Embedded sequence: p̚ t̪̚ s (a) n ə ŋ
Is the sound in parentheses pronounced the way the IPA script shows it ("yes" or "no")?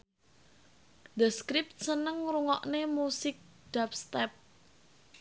no